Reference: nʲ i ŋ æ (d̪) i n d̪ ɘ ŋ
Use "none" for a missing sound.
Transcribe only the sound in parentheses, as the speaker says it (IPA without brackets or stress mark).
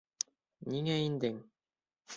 none